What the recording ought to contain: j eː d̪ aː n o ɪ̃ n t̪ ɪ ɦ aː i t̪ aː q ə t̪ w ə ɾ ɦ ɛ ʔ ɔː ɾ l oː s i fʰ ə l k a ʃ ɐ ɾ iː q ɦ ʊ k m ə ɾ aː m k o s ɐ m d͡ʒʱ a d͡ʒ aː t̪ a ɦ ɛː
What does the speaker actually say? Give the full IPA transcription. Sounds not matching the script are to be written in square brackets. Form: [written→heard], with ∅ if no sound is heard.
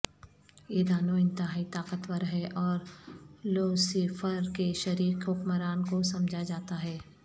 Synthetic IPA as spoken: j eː d̪ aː n o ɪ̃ n t̪ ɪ ɦ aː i t̪ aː q ə t̪ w ə ɾ ɦ ɛ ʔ ɔː ɾ l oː s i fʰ ə [l→ɾ] k [a→e] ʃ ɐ ɾ iː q ɦ ʊ k m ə ɾ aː [m→n] k o s ɐ m d͡ʒʱ a d͡ʒ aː t̪ a ɦ ɛː